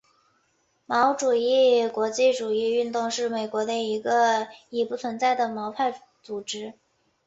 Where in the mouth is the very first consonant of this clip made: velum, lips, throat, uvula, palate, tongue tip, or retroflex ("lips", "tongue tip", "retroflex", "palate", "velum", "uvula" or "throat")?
lips